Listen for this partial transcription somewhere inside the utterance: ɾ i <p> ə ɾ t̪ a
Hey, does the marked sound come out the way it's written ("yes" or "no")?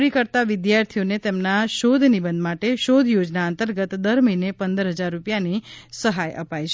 no